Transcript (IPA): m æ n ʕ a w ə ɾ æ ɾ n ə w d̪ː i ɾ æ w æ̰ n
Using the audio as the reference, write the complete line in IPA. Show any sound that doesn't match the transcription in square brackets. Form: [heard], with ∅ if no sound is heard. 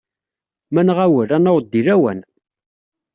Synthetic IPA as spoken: m æ n [ʁ] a w ə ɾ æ [∅] n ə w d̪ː i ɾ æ w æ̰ n